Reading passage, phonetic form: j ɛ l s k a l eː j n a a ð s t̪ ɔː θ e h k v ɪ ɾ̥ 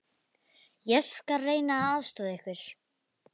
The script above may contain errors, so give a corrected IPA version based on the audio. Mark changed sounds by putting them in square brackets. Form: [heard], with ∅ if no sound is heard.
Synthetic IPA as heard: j ɛ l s k a [r] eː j n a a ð s t̪ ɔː [ð] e h k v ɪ ɾ̥